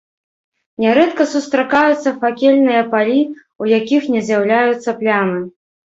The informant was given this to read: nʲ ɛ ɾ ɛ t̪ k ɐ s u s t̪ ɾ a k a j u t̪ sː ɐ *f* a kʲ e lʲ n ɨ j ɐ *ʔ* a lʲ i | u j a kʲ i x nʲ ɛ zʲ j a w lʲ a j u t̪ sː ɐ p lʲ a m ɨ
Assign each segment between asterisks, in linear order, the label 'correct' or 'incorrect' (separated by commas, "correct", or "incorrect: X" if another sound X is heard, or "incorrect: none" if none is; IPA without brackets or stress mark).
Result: correct, incorrect: p